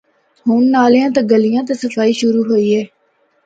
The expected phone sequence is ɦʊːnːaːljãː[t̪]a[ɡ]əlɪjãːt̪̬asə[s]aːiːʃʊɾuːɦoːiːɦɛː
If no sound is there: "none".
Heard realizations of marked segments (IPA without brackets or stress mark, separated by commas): t̪, ɡ, f